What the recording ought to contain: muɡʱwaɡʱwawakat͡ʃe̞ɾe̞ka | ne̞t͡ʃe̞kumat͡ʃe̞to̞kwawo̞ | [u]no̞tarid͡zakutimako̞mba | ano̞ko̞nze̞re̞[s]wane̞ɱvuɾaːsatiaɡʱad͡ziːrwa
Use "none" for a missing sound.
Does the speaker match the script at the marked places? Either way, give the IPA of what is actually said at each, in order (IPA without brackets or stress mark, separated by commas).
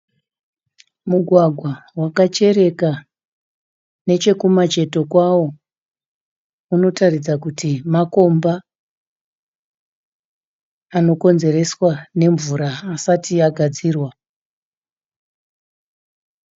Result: u, s